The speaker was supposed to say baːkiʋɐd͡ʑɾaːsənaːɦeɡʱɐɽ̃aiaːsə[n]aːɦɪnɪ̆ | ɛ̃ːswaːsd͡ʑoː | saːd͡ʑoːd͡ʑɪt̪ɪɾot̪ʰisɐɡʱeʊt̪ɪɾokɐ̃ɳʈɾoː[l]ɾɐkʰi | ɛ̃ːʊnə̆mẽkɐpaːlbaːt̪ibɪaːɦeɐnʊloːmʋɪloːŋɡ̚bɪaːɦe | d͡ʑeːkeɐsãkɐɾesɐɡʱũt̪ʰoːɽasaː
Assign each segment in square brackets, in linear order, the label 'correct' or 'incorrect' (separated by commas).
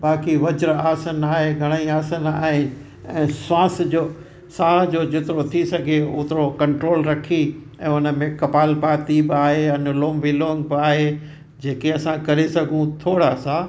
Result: correct, correct